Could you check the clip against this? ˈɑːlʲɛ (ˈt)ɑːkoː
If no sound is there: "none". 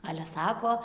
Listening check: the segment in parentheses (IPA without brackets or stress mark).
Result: s